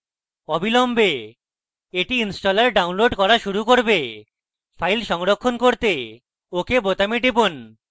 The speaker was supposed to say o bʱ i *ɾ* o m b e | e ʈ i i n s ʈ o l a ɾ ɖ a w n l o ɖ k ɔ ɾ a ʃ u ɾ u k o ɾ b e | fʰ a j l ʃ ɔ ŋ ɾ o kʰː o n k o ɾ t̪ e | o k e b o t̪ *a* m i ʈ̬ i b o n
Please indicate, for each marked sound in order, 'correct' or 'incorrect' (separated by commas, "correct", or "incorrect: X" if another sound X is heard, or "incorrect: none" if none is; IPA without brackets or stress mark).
incorrect: l, correct